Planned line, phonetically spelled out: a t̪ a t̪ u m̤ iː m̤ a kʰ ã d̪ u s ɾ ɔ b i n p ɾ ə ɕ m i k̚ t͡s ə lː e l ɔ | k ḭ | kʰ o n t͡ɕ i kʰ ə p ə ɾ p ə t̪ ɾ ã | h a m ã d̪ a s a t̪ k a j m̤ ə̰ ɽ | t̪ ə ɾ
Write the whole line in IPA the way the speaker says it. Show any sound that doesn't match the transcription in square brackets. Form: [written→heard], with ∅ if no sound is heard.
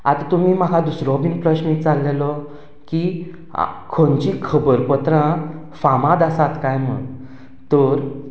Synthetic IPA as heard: a t̪ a t̪ u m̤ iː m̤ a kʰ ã d̪ u s ɾ ɔ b i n p ɾ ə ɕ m i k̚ t͡s [ə→a] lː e l ɔ | k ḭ | kʰ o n t͡ɕ i kʰ ə [p→b] ə ɾ p ə t̪ ɾ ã | [h→f] a m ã d̪ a s a t̪ k a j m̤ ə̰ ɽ | t̪ ə ɾ